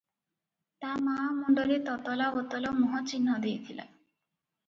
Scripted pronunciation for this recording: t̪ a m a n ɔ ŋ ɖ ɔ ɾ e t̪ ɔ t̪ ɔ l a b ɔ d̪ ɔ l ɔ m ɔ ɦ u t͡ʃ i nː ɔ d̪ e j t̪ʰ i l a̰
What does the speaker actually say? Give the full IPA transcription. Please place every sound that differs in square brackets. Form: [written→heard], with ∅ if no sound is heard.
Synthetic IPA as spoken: t̪ a m a [n→m] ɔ [ŋ→ɳ] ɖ ɔ ɾ e t̪ ɔ t̪ ɔ l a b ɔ [d̪→t̪] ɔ l ɔ m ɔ ɦ [u→ɔ] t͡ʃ i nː ɔ d̪ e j t̪ʰ i l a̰